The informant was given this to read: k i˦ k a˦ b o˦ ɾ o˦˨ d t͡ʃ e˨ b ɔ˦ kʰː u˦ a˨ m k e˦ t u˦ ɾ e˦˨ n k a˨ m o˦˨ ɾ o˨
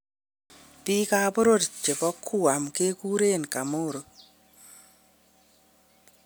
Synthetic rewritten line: p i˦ k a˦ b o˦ ɾ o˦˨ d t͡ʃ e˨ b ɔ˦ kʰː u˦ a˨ m k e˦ k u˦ ɾ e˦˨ n k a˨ m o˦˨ ɾ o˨